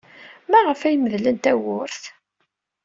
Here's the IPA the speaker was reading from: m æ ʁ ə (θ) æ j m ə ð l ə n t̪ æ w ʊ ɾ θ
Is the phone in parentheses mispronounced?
yes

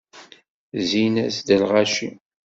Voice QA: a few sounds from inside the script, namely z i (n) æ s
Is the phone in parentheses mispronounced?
no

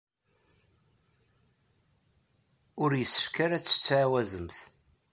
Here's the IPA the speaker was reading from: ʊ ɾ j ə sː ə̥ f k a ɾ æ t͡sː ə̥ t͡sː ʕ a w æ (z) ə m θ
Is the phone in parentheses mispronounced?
no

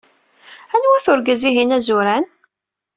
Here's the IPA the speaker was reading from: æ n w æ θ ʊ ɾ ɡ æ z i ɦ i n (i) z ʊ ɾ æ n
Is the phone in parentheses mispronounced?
yes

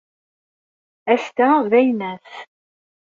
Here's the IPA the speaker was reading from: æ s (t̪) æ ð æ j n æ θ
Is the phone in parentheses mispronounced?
no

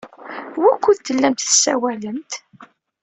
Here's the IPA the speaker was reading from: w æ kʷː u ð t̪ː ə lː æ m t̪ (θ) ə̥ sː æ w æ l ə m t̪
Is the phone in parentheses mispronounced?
no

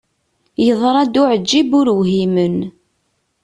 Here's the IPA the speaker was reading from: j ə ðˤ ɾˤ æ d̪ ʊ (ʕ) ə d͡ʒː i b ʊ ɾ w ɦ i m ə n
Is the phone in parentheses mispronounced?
no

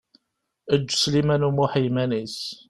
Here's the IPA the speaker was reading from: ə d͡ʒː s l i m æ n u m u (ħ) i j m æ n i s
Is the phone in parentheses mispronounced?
no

